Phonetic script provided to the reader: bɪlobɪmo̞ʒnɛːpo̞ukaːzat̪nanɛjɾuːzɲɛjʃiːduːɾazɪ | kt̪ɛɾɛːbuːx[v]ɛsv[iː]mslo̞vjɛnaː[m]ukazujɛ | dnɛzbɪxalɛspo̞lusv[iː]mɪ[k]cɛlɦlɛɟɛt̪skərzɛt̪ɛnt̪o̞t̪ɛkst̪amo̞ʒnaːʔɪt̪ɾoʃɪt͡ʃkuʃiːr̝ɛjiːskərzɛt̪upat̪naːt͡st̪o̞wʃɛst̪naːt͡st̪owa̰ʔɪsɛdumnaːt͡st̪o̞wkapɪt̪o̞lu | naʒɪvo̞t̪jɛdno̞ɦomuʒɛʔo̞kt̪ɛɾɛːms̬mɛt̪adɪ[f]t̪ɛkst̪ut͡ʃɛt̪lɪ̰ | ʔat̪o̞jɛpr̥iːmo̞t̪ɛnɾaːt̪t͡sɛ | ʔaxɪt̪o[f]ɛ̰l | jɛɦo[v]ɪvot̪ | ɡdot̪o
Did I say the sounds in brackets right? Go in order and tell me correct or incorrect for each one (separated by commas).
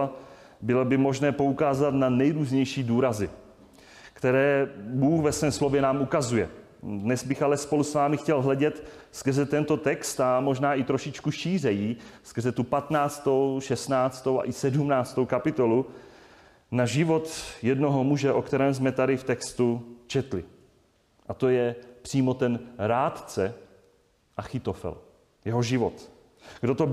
correct, incorrect, correct, incorrect, incorrect, correct, correct, incorrect